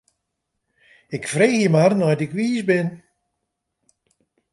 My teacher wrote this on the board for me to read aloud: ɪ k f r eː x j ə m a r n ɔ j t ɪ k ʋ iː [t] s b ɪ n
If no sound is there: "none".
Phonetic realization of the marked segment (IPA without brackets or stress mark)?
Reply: none